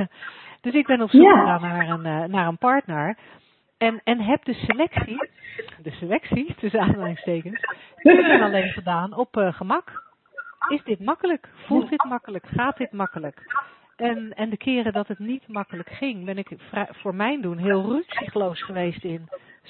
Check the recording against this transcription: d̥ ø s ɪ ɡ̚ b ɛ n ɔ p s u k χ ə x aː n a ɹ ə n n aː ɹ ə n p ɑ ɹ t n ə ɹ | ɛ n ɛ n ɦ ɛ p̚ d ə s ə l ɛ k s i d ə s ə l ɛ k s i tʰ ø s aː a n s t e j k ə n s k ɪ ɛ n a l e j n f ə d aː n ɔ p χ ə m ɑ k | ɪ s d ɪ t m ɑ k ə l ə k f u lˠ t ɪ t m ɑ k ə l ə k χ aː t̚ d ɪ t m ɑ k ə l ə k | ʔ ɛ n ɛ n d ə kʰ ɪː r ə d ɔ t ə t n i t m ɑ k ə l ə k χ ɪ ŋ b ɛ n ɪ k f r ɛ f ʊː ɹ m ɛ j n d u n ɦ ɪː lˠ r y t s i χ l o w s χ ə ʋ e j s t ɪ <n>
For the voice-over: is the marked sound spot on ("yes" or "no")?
yes